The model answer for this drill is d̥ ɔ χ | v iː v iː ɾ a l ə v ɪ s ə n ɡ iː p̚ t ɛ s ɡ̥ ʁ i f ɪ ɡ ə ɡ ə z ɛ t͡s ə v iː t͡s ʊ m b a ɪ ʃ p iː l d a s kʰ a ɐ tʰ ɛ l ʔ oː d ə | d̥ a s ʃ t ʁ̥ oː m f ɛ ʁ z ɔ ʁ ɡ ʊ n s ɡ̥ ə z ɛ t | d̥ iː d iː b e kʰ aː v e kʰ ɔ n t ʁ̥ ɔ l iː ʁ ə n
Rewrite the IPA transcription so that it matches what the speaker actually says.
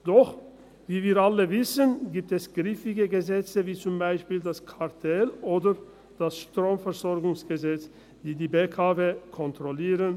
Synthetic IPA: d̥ ɔ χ | v iː v iː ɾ a l ə v ɪ s ə n ɡ iː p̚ t ɛ s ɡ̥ ʁ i f ɪ ɡ ə ɡ ə z ɛ t͡s ə v iː t͡s ʊ m b a ɪ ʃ p iː l d a s kʰ a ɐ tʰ ɛ l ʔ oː d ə | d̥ a s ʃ t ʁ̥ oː m f ɛ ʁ z ɔ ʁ ɡ ʊ ŋ s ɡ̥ ə z ɛ t͡s | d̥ iː d iː b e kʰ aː v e kʰ ɔ n t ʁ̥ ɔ l iː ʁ ə n